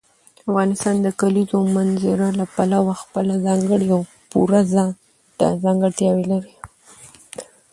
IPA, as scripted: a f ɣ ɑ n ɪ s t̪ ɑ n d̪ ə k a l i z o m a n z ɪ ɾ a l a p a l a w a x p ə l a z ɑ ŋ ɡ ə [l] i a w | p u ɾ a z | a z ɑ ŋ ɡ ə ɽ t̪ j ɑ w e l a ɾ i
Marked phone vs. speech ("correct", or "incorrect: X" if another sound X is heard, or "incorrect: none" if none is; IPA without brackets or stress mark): incorrect: ɽ